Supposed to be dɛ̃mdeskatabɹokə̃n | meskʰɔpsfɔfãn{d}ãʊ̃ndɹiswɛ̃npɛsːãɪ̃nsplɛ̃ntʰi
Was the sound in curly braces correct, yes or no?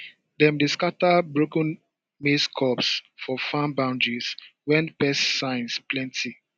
no